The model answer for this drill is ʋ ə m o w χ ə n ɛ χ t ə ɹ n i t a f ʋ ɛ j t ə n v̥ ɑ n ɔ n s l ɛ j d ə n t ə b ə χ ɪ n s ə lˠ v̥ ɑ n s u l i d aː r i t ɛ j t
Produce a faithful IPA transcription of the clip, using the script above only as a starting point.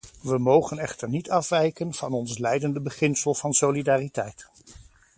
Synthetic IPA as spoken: ʋ ə m o w χ ə n ɛ χ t ə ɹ n i t ɑ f ʋ ɛ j k ə n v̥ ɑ n ɔ n s l ɛ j d ə n d ə b ə χ ɪ n s ə lˠ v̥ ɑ n s o l i d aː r i t ɛ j t